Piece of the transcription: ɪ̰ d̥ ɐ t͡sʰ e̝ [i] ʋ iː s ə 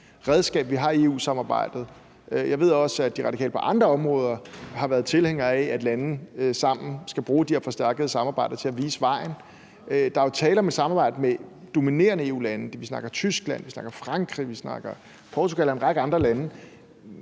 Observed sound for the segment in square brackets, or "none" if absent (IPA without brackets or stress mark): æ